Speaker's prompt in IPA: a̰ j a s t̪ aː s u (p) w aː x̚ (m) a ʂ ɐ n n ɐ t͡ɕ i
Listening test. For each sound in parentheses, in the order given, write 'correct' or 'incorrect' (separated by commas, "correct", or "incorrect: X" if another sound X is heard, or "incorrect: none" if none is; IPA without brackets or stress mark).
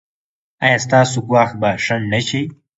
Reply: incorrect: k, incorrect: b